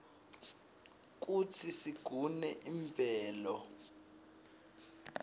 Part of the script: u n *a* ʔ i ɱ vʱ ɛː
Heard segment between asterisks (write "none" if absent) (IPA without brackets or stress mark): ɛ